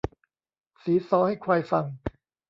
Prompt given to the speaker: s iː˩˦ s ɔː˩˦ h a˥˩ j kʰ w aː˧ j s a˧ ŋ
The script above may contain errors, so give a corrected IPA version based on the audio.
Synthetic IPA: s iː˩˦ s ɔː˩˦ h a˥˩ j kʰ w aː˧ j f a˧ ŋ